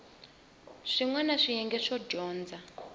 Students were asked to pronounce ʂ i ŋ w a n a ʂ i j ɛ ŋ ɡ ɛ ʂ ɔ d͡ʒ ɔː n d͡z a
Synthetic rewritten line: ʂ i ŋ w a n a ʂ i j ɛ ŋ ɡ ɛ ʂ ɔ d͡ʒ ɔː n d͡z a